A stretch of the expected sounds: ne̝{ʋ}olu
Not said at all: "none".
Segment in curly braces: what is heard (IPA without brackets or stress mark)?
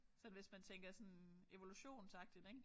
ʋ